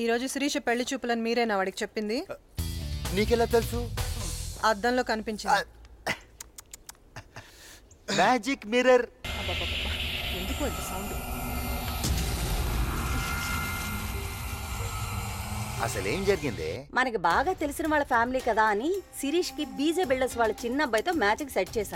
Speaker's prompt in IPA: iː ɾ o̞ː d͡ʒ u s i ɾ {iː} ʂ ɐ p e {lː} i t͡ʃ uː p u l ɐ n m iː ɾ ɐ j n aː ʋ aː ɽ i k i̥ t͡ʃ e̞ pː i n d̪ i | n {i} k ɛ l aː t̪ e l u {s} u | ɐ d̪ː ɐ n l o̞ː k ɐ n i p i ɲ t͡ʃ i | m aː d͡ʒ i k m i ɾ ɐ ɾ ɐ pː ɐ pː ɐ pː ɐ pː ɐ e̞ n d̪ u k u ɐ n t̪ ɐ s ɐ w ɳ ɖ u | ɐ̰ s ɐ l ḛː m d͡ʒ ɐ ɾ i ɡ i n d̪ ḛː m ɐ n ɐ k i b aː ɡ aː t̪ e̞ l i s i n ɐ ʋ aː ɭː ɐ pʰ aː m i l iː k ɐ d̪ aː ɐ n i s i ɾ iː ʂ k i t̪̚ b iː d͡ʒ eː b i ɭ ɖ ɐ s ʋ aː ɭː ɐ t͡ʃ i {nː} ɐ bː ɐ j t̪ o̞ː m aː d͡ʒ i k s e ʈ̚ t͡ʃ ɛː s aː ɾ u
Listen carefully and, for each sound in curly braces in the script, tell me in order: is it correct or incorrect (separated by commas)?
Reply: correct, incorrect, incorrect, correct, correct